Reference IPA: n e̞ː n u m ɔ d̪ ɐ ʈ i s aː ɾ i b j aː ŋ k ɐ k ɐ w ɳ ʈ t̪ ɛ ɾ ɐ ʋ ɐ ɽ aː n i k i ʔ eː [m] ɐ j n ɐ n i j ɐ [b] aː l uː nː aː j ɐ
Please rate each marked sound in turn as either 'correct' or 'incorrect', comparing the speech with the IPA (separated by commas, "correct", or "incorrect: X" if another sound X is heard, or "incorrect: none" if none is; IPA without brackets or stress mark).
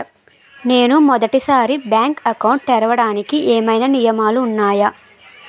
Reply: correct, incorrect: m